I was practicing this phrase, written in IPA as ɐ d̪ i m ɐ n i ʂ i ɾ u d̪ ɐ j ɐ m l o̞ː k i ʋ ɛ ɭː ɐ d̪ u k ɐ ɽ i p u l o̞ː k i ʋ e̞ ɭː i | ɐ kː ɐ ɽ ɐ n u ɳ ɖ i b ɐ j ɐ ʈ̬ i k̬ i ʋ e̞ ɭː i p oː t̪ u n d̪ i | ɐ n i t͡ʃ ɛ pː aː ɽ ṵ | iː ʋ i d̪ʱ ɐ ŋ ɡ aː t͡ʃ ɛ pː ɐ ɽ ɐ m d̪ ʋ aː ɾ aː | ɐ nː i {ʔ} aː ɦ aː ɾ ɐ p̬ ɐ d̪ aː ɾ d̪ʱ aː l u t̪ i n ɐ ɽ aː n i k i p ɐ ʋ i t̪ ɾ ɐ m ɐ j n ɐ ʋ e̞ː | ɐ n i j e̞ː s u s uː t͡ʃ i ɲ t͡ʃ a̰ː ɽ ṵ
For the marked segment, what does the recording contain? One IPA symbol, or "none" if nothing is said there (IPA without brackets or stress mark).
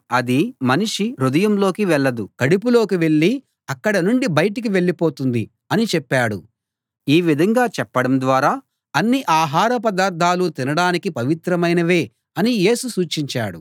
ʔ